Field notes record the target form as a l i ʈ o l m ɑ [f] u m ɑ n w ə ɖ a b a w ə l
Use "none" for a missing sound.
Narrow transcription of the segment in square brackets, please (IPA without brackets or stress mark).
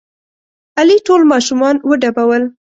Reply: ʃ